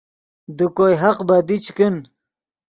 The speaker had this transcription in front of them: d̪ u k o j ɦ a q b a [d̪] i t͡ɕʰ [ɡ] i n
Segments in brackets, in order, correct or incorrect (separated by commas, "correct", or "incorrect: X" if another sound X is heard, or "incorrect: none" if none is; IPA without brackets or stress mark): correct, incorrect: k